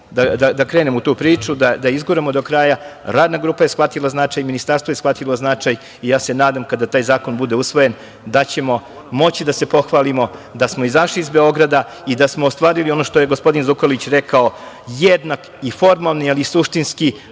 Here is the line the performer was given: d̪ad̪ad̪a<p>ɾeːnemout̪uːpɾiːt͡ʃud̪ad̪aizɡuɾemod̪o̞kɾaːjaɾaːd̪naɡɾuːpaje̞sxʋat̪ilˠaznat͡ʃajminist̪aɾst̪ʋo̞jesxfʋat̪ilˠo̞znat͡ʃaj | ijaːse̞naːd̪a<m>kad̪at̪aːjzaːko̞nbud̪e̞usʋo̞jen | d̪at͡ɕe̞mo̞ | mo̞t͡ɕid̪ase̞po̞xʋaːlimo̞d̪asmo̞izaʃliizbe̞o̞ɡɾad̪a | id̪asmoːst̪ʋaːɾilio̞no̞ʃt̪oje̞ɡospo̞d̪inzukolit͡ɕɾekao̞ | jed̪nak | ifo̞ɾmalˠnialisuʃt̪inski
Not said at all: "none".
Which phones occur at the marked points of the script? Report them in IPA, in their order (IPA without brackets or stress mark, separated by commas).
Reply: k, m